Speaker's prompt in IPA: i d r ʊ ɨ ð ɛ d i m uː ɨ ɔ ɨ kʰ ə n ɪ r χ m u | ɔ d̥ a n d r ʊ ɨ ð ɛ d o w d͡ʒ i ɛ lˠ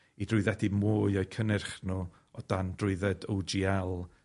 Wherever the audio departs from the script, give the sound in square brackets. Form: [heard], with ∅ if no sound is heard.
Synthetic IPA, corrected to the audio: i d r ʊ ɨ ð ɛ d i m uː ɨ ɔ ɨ kʰ ə n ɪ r χ [n] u | ɔ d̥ a n d r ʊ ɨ ð ɛ d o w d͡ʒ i ɛ lˠ